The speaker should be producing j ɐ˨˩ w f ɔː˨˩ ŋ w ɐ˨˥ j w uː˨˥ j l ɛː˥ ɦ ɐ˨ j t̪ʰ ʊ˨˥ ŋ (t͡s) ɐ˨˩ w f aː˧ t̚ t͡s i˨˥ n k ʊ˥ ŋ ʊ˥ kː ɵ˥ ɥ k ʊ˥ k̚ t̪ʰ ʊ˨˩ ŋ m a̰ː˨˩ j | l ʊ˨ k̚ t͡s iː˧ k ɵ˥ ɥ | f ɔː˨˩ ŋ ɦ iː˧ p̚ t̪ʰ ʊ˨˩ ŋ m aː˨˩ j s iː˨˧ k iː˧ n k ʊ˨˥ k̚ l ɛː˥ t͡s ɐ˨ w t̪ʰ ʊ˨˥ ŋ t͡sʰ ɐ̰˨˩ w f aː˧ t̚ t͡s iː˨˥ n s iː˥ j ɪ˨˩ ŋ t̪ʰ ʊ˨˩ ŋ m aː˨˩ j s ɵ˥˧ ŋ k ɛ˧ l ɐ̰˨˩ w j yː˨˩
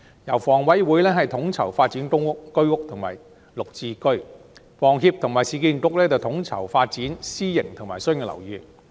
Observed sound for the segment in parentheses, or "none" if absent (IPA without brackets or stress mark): t͡sʰ